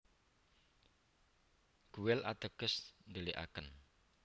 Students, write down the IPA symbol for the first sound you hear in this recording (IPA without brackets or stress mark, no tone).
ɡ̥